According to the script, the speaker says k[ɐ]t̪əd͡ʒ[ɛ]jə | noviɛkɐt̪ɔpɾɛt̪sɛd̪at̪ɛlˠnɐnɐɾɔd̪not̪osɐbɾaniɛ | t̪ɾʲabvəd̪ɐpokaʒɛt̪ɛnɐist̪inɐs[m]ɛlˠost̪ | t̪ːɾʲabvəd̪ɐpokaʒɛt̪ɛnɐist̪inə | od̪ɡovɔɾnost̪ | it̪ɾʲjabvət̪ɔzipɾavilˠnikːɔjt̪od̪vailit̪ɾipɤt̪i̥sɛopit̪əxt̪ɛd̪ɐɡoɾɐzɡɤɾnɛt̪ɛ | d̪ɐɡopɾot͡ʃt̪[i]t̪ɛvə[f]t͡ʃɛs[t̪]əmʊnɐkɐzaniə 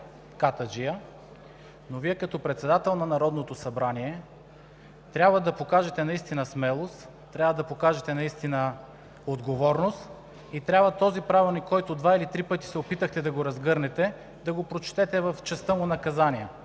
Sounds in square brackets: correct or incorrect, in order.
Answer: incorrect, incorrect, correct, incorrect, correct, correct

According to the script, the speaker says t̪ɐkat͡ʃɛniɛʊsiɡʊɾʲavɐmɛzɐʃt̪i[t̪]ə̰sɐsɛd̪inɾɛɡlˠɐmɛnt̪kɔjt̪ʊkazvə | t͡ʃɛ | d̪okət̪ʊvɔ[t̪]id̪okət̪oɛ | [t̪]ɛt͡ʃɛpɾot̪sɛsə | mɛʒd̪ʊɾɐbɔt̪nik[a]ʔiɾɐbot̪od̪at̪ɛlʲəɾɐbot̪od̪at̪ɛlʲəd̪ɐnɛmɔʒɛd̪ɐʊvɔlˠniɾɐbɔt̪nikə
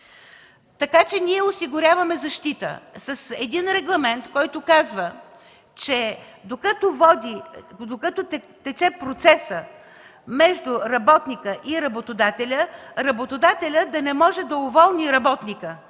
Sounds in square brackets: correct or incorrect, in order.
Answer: correct, incorrect, correct, incorrect

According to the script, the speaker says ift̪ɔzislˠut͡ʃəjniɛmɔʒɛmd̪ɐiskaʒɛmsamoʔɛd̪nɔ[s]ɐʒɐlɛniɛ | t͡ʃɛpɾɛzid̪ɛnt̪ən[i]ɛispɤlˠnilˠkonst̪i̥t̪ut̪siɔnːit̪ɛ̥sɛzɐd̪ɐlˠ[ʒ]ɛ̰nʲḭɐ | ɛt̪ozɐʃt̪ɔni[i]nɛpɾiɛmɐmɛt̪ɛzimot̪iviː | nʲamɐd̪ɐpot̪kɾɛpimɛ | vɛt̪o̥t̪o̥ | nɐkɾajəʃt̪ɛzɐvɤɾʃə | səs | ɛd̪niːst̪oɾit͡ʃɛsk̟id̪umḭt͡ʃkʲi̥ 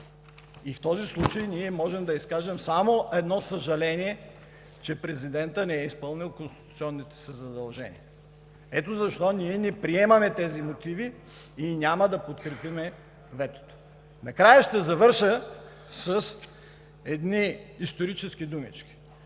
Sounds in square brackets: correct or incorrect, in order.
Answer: correct, incorrect, correct, incorrect

